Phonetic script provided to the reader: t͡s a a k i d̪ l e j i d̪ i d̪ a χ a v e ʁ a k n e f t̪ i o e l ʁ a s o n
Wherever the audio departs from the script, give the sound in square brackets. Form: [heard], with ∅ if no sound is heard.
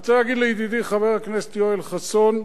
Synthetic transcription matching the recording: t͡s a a [ɡ] i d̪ l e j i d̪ i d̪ [i] χ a v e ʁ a k n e [s] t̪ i o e l [χ] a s o n